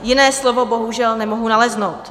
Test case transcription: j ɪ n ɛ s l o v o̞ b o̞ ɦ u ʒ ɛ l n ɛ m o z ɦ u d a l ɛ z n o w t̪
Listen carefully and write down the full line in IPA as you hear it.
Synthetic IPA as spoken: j ɪ n ɛː s l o v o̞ b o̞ ɦ u ʒ ɛ l n ɛ m o ɦ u n a l ɛ z n o w t̪

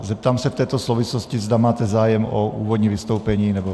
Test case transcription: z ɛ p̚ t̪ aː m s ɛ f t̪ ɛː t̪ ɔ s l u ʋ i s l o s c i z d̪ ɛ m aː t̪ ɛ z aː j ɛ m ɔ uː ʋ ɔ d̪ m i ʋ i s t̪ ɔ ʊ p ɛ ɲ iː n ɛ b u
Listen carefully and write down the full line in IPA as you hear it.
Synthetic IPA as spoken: z ɛ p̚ t̪ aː m s ɛ f t̪ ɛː t̪ ɔ s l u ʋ i s l ɔ s c i z d̪ a m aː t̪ ɛ z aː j ɛ m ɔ uː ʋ ɔ d̪ ɲ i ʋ i s t̪ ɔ ʊ p ɛ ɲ iː n ɛ b ɔ

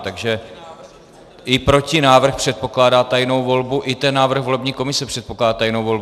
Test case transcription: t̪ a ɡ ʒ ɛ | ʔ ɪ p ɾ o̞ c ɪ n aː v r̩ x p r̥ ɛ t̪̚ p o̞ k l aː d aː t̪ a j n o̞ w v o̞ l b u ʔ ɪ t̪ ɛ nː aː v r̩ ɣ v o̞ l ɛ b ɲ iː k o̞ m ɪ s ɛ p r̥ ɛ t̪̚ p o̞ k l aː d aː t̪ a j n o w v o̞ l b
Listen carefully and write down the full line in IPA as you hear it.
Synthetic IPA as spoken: t̪ a ɡ ʒ ɛ | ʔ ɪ p ɾ o̞ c ɪ n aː v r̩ x p r̥ ɛ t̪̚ p o̞ k l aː d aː t̪ a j n o̞ w v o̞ l b u ʔ ɪ t̪ ɛ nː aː v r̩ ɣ v o̞ l ɛ b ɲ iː k o̞ m ɪ s ɛ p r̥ ɛ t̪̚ p o̞ k l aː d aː t̪ a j n o w v o̞ l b

